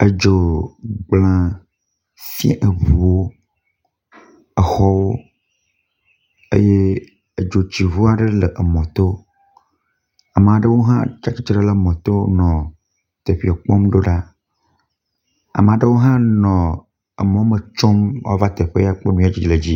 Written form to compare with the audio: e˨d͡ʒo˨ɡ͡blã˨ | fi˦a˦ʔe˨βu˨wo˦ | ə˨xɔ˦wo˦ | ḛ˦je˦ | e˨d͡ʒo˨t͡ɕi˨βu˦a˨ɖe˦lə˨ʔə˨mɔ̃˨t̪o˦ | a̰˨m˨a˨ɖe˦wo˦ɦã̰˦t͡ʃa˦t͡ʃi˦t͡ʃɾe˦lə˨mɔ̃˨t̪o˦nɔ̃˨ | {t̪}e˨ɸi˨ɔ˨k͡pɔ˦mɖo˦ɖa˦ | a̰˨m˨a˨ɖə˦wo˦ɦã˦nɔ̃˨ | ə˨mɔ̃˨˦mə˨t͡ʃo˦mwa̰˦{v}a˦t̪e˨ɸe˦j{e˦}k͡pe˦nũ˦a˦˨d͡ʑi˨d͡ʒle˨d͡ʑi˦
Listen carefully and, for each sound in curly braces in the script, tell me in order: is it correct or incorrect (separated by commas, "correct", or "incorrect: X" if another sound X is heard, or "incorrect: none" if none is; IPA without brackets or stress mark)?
correct, correct, incorrect: a˦